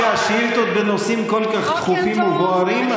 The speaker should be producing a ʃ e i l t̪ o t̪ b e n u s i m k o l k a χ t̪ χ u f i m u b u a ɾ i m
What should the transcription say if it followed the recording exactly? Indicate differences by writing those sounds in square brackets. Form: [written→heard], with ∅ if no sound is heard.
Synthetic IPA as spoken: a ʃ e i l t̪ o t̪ b e n [u→o] s i m k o l k a χ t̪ χ u f i m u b [u→o] a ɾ i m

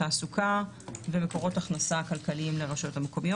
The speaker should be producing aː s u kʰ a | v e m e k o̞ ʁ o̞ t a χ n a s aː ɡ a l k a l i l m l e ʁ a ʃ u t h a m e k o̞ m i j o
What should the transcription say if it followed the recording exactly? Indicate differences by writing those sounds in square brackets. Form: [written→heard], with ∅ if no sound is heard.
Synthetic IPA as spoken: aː s u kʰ a | v e m e k o̞ ʁ o̞ t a χ n a s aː [ɡ→k] a l k a l i [l→∅] m l e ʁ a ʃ [u→o] t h a m e k o̞ m i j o

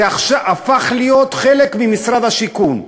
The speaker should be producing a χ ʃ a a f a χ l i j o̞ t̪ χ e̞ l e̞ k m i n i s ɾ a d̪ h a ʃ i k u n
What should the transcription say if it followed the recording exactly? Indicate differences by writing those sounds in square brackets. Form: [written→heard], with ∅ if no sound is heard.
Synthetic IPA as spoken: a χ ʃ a a f a χ l i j o̞ t̪ χ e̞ l e̞ k m i [n→m] i s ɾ a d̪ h a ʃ i k u n

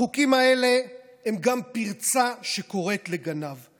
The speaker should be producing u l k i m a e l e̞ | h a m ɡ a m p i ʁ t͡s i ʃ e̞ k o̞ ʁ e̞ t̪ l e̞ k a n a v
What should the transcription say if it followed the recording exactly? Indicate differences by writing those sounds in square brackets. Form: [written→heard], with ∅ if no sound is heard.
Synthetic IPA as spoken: u [l→∅] k i m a e l e̞ | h [a→e] m ɡ a m p i ʁ t͡s [i→a] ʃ e̞ k o̞ ʁ e̞ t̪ l e̞ [k→ɡ] a n a v

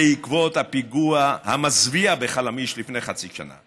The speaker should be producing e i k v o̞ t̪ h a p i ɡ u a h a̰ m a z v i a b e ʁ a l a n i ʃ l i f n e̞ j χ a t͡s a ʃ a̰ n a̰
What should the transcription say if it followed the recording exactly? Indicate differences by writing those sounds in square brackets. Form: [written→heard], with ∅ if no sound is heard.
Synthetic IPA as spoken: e i k v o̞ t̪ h a p i ɡ u a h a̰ m a z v i a b e [ʁ→χ] a l a [n→m] i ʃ l i f n e̞ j χ a t͡s [a→i] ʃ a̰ n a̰

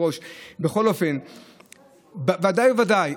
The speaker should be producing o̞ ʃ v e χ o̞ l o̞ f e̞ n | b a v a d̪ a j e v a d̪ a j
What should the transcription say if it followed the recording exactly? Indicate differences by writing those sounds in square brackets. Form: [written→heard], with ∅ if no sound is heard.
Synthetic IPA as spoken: o̞ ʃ [v→b] e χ o̞ l o̞ f e̞ n | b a v a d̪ a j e v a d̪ a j

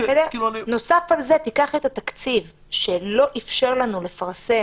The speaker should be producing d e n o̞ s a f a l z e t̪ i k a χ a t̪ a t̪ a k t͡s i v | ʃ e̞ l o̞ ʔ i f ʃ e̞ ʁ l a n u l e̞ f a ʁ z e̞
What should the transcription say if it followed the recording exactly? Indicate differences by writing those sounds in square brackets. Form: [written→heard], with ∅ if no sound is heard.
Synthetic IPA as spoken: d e n o̞ s a f a l z e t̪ i k a χ [a→e] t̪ a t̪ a k t͡s i v | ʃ e̞ l o̞ ʔ i f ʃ e̞ ʁ l a n u l e̞ f a ʁ [z→s] e̞

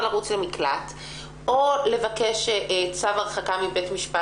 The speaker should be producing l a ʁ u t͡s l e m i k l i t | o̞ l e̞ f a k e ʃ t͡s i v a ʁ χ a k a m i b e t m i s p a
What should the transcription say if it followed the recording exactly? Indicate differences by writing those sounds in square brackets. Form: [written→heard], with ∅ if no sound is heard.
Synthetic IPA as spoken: l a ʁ u t͡s l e m i k l [i→a] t | o̞ l e̞ [f→v] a k e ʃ t͡s [i→a] v a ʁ χ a k a m i b e t m i [s→ʃ] p a

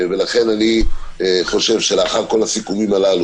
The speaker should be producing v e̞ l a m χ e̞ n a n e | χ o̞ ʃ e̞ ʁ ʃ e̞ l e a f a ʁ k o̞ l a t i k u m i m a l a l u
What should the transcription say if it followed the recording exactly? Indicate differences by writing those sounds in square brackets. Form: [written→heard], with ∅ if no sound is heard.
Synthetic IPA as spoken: v e̞ l a [m→∅] χ e̞ n a n [e→i] | χ o̞ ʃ e̞ [ʁ→v] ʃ e̞ l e a [f→χ] a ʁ k o̞ l a [t→s] i k u m i m a l a l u

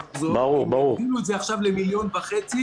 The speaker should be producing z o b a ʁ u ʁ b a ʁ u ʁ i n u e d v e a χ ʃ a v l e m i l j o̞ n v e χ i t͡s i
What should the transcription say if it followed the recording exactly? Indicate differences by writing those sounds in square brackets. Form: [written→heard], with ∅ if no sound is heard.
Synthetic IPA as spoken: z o b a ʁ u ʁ b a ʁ u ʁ i n u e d [v→z] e a χ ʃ a v l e m i l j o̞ n v [e→a] χ [i→e] t͡s i

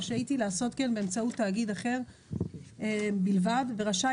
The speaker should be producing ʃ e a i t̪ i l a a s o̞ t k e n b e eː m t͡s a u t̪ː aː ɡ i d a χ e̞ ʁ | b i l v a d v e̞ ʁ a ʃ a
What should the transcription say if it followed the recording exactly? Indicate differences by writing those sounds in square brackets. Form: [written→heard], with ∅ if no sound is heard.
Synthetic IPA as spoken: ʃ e a i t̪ i l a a s o̞ t k e n b e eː m t͡s a u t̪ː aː ɡ i d a χ e̞ ʁ | b i l v a d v e̞ ʁ a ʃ a

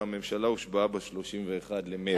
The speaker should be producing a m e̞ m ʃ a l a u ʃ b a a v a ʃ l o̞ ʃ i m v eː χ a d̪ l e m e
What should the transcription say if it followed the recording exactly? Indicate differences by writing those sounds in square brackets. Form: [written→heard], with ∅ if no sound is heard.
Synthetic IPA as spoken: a m e̞ m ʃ a l a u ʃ b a a [v→b] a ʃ l o̞ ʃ i m v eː χ a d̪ l e m e

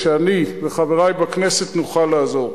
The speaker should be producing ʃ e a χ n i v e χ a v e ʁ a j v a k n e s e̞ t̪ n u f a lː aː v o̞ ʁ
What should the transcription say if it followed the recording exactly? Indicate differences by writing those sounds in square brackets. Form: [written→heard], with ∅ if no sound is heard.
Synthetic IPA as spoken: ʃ e a [χ→∅] n i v e χ a v e ʁ a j [v→b] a k n e s e̞ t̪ n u [f→χ] a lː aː [v→z] o̞ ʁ

